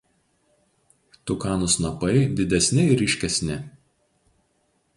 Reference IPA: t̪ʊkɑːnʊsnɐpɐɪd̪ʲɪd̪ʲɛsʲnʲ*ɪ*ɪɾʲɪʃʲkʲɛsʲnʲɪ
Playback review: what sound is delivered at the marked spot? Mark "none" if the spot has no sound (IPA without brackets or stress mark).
ɪ